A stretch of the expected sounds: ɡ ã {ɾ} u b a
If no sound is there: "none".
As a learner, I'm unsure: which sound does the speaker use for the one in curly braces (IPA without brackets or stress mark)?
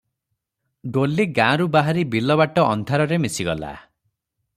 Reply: ɾ